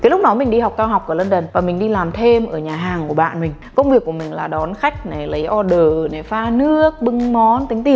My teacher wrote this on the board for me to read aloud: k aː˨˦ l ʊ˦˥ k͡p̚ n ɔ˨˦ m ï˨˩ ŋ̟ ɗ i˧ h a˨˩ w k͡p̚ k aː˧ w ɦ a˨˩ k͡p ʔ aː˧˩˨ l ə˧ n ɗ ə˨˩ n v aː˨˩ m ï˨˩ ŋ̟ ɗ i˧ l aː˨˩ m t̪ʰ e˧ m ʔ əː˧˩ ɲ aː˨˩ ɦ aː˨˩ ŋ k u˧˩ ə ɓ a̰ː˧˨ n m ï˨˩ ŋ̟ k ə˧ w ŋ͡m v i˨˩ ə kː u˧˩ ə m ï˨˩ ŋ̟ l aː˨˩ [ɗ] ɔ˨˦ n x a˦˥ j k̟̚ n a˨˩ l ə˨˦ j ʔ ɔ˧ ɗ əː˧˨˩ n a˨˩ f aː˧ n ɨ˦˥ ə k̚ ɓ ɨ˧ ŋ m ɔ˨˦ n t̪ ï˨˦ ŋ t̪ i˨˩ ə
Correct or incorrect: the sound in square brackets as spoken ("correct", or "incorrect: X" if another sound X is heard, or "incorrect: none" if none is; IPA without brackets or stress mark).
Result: correct